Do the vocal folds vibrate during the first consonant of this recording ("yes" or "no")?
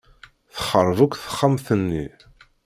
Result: no